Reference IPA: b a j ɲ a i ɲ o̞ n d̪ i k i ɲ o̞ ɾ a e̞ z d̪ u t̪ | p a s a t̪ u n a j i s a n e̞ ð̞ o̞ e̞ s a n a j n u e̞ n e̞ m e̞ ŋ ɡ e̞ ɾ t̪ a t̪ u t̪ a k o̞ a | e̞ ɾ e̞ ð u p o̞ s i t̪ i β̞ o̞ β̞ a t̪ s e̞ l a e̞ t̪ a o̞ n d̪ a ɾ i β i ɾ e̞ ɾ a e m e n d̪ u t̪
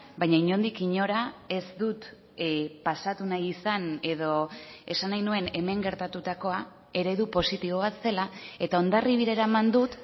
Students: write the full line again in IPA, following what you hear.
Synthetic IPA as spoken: b a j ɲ a i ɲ o̞ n d̪ i k i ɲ o̞ ɾ a e̞ z d̪ u t̪ | p a s a t̪ u n a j i s a n e̞ ð̞ o̞ e̞ s a n a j n u e̞ n e̞ m e̞ ŋ ɡ e̞ ɾ t̪ a t̪ u t̪ a k o̞ a | e̞ ɾ e̞ ð u p o̞ s i t̪ i β̞ o̞ β̞ a t̪ s e̞ l a e̞ t̪ a o̞ n d̪ a r i β i ɾ e̞ ɾ a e m a n d̪ u t̪